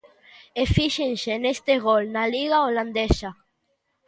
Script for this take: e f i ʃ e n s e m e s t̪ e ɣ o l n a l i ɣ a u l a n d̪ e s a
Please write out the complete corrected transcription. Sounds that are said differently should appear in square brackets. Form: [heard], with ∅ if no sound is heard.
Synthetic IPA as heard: e f i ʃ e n s e [n] e s t̪ e ɣ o l n a l i ɣ a [o] l a n d̪ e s a